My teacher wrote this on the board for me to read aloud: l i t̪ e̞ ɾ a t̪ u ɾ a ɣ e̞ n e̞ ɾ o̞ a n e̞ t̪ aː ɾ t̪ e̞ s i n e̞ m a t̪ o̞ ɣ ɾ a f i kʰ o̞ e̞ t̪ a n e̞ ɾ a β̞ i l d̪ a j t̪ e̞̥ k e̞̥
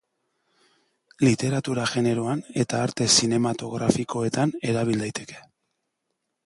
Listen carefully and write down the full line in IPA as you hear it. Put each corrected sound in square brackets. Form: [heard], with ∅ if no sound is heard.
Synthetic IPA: l i t̪ e̞ ɾ a t̪ u ɾ a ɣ e̞ n e̞ ɾ o̞ a n e̞ t̪ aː ɾ t̪ e̞ s i n e̞ m a t̪ o̞ ɣ ɾ a f i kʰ o̞ e̞ t̪ a n e̞ ɾ a β̞ i l d̪ a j t̪ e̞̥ k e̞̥